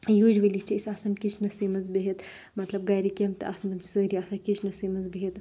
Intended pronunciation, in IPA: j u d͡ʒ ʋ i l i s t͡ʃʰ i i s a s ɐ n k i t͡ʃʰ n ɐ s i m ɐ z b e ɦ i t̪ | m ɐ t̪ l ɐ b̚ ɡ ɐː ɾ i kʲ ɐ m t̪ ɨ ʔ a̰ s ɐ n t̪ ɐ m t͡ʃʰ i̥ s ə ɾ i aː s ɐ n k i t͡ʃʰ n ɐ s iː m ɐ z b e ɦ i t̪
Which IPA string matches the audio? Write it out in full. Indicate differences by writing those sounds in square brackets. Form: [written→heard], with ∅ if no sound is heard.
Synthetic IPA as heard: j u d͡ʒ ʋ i l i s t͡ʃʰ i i s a s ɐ n k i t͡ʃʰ n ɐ s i m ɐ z b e ɦ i t̪ | m ɐ t̪ l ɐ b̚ ɡ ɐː ɾ i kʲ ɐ m t̪ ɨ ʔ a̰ s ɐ n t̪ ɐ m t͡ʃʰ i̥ s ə ɾ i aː s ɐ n k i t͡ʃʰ n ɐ s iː m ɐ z b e ɦ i t̪